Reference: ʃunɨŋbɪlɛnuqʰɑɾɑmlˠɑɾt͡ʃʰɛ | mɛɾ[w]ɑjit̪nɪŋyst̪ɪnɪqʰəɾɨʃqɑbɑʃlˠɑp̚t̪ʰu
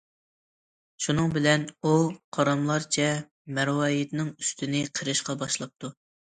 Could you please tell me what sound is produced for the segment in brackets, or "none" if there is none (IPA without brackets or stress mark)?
w